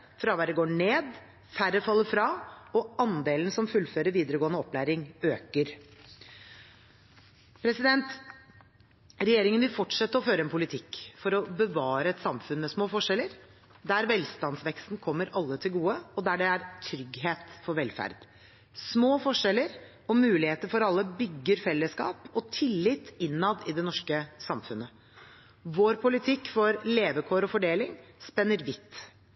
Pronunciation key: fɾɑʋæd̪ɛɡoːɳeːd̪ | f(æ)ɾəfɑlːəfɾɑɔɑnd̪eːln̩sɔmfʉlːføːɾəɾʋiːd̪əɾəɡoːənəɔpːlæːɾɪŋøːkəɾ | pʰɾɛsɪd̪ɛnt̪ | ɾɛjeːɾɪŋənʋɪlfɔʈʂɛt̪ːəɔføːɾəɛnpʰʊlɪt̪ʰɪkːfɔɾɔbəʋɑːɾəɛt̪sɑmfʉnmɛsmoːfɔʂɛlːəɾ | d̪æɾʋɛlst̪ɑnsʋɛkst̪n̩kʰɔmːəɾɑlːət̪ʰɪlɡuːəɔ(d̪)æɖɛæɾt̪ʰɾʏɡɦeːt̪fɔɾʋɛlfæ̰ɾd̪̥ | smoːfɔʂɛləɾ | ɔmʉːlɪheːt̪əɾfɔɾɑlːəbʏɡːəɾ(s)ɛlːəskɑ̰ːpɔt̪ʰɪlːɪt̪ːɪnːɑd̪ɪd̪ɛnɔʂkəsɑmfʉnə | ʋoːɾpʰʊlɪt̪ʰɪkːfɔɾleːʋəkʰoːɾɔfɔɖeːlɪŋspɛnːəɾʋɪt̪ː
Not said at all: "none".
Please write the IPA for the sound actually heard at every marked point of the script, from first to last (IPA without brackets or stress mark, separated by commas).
æ, d̪, f